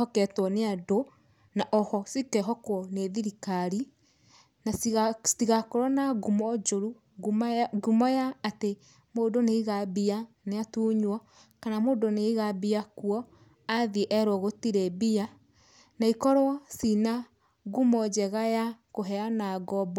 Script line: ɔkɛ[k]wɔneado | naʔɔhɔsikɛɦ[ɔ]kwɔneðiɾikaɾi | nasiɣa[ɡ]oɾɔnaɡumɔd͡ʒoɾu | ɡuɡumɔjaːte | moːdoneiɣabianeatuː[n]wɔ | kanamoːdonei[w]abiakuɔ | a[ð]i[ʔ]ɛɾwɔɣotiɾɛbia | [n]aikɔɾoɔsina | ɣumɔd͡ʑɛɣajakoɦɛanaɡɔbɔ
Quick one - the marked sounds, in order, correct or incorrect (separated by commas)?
incorrect, correct, incorrect, incorrect, incorrect, correct, correct, correct